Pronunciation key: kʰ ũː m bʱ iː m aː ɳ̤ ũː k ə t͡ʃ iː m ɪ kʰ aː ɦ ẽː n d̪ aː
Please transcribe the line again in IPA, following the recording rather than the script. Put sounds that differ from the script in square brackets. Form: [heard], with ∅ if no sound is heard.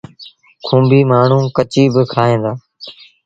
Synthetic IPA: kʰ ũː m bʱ iː m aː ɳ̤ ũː k ə t͡ʃ iː [b] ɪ kʰ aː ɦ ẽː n d̪ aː